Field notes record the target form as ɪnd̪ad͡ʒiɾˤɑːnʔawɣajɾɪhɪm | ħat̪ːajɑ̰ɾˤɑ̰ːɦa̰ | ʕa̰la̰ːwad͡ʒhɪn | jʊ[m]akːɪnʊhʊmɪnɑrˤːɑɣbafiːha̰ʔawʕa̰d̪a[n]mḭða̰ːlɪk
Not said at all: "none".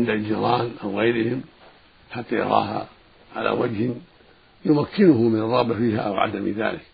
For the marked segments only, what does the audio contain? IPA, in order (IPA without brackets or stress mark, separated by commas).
m, none